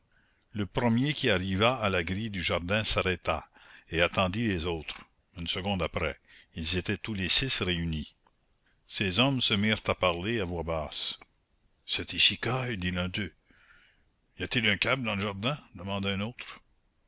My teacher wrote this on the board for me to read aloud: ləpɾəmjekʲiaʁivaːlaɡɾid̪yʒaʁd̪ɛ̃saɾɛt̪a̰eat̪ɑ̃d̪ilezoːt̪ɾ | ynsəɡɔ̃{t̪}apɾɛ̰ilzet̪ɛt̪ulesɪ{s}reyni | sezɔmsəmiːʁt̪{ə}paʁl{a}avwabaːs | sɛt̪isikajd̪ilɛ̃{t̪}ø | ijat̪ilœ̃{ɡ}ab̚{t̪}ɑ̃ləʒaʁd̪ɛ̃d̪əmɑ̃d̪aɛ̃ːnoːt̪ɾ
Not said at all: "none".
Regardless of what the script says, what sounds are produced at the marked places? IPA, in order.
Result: d̪, s, a, e, d̪, k, d̪

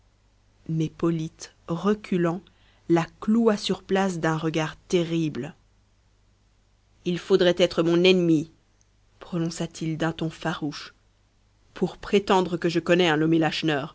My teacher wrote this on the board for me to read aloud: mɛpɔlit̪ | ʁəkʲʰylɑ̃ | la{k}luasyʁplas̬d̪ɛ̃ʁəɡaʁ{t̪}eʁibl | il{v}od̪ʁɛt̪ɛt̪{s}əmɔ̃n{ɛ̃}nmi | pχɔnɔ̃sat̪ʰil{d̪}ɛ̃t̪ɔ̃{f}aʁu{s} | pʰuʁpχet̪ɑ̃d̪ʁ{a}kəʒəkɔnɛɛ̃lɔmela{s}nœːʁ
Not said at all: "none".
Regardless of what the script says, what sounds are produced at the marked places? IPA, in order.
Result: k, t̪, f, χ, ɛ, d̪, f, ʃ, ə, ʃ

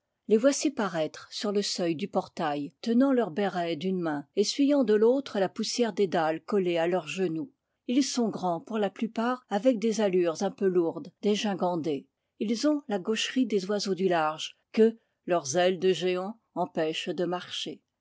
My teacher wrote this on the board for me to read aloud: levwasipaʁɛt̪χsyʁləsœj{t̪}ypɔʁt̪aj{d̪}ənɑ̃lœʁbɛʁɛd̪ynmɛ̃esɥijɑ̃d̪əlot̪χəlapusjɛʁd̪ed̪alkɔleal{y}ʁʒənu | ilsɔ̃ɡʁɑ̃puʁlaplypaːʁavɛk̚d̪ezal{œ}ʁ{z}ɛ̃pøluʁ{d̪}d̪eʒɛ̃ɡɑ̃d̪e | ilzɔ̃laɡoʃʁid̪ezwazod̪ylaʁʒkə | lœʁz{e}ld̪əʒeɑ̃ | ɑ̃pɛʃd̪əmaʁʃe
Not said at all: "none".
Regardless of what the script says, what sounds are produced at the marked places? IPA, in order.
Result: d̪, t̪, œ, y, z, d̪, ɛ

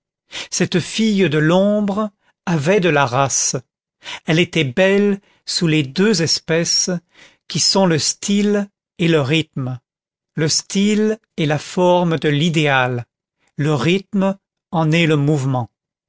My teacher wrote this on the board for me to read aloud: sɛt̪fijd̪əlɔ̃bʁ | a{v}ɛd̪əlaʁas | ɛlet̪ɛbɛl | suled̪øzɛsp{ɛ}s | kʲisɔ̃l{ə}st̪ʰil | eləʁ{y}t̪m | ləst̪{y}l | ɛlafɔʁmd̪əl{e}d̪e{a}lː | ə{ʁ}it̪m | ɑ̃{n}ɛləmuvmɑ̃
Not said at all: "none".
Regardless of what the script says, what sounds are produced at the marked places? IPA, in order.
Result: v, ɛ, ə, i, i, i, a, ʁ, n

